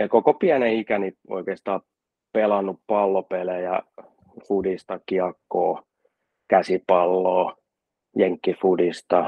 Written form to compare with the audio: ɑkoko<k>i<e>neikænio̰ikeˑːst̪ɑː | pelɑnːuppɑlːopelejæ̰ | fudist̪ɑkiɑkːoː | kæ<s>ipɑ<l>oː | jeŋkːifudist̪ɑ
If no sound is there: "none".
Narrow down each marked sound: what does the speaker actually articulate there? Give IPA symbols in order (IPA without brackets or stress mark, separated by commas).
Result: p, æ, s, lː